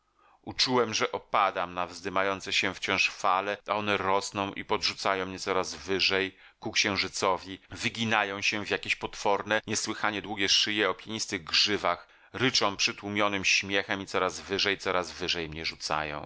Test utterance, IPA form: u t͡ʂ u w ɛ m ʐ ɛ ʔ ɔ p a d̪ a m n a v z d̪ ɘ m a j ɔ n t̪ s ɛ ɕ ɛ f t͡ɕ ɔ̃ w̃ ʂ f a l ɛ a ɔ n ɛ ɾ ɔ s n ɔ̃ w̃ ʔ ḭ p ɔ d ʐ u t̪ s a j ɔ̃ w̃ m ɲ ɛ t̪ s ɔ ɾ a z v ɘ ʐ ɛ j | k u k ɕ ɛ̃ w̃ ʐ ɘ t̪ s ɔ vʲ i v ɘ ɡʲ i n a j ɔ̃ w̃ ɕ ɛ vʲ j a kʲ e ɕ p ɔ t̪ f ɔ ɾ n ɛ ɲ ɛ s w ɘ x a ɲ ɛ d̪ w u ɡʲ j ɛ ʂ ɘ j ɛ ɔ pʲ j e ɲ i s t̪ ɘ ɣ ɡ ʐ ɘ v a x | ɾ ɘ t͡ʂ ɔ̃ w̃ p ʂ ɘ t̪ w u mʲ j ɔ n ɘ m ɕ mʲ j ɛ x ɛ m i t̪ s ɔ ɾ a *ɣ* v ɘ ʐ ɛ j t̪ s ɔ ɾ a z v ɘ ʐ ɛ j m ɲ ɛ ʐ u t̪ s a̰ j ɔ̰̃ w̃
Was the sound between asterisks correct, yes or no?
no